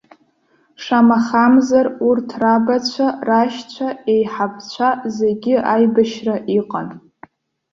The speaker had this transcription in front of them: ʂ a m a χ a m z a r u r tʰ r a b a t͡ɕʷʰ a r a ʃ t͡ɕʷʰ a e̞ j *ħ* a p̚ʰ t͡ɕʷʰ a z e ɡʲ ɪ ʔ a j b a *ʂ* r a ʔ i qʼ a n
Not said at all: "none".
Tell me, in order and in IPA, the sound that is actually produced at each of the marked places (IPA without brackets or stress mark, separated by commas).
ħ, ʃ